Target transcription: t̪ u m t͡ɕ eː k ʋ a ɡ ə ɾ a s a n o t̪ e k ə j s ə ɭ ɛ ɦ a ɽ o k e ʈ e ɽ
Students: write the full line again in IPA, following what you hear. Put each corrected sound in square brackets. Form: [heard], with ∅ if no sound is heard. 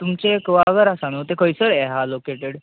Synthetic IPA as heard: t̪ u m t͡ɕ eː k ʋ a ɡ ə ɾ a s a n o t̪ e k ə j s ə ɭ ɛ ɦ a [l] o k e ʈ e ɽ